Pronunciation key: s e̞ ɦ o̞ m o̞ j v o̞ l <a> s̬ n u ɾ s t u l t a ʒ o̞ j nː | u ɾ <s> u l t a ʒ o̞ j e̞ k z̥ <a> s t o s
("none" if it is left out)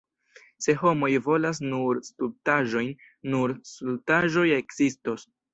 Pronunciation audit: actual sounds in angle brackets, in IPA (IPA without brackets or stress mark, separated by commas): a, s, i